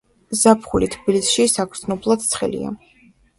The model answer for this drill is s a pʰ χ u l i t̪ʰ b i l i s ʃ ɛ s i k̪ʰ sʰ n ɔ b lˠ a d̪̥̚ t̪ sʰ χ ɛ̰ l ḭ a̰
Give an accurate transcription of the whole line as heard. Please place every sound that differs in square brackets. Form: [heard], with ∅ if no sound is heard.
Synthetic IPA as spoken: [z] a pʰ χ u l i t̪ʰ b i l i s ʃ [i] s [a] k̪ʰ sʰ n ɔ b lˠ a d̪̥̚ t̪ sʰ χ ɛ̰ l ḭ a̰